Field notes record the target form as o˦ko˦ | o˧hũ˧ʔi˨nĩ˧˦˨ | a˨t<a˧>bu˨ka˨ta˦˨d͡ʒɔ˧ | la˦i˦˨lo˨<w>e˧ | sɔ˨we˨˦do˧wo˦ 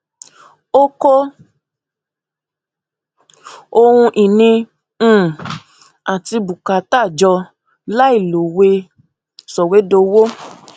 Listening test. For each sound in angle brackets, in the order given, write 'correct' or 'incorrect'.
incorrect: i˧, correct

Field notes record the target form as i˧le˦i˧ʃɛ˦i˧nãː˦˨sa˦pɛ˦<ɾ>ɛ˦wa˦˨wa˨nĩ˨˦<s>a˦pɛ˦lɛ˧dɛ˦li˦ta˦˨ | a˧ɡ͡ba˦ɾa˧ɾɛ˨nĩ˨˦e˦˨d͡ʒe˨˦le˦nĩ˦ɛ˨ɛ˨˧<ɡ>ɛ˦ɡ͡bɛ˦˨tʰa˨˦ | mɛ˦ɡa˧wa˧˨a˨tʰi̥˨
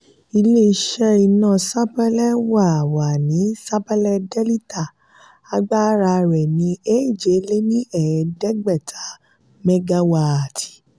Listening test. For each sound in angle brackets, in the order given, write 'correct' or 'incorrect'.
incorrect: l, correct, incorrect: d

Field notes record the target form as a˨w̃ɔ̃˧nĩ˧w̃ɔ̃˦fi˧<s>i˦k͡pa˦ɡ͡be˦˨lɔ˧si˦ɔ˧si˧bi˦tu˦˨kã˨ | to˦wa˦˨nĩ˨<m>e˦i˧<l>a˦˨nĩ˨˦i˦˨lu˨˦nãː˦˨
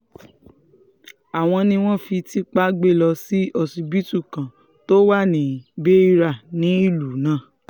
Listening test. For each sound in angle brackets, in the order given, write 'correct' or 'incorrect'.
incorrect: t, incorrect: b, incorrect: ɾ

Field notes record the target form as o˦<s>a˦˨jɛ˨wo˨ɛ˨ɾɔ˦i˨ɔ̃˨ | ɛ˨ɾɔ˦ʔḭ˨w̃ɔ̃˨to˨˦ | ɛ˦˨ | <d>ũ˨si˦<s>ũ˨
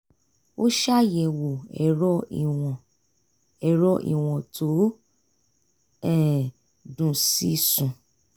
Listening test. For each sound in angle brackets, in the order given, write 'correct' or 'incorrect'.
incorrect: ʃ, correct, correct

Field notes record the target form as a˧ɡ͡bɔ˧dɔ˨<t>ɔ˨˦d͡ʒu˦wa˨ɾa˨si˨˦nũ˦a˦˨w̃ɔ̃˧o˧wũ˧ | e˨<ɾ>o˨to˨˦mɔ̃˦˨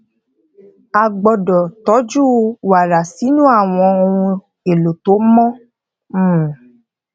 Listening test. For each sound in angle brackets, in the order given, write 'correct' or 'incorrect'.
correct, incorrect: l

